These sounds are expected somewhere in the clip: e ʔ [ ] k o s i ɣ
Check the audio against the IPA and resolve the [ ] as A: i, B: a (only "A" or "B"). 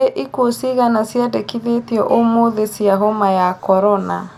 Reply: A